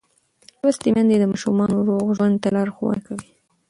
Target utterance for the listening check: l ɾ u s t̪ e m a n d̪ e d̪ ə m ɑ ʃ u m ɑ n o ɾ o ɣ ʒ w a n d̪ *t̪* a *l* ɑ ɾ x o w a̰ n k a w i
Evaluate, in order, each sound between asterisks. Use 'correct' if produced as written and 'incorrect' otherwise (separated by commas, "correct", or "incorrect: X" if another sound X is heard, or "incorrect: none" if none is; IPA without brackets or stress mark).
correct, correct